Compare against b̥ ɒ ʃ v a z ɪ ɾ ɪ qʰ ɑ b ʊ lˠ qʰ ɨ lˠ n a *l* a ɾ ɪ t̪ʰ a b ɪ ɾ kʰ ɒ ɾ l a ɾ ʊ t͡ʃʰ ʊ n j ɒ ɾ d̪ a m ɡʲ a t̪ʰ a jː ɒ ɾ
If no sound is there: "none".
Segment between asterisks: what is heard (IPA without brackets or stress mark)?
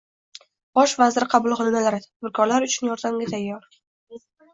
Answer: l